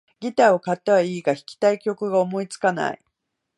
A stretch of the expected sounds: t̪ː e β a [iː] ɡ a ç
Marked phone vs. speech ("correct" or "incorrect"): correct